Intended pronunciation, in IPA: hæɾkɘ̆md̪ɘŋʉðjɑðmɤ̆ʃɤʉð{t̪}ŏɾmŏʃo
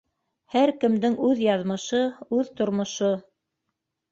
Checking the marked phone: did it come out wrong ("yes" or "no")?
no